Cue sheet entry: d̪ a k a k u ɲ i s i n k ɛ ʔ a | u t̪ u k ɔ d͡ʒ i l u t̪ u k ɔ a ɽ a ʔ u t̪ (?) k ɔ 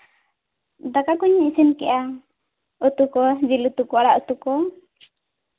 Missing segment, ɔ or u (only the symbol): u